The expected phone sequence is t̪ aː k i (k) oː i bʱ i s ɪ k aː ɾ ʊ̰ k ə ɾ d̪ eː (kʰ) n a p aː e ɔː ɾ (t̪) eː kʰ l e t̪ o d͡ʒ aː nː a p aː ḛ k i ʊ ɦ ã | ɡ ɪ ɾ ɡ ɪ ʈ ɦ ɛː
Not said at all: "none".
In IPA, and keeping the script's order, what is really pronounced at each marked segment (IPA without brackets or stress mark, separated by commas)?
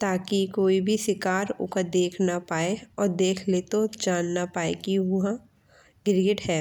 k, kʰ, d̪